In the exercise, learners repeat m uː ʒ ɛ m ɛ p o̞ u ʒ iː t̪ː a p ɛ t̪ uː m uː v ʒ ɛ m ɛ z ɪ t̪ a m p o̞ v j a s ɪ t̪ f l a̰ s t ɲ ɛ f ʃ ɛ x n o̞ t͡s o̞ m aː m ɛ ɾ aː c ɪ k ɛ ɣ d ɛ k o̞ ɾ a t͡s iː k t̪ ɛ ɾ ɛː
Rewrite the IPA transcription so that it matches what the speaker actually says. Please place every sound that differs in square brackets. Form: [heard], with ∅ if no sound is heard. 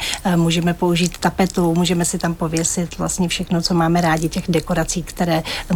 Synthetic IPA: m uː ʒ ɛ m ɛ p o̞ u ʒ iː t̪ː a p ɛ t̪ [u] m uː [∅] ʒ ɛ m ɛ [s] ɪ t̪ a m p o̞ v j [ɛ] s ɪ t̪ [v] l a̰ s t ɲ ɛ f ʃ ɛ x n o̞ t͡s o̞ m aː m ɛ ɾ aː [ɟ] ɪ [c] ɛ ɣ d ɛ k o̞ ɾ a t͡s iː k t̪ ɛ ɾ ɛː